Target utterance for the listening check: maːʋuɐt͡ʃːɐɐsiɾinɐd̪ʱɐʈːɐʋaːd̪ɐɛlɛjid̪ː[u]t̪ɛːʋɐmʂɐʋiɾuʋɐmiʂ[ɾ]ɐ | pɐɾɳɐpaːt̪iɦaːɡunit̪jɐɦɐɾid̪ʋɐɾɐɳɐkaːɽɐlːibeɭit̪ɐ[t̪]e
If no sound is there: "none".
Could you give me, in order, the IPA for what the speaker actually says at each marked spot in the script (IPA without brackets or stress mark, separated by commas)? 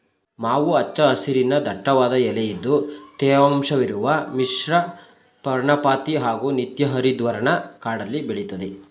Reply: u, ɾ, d̪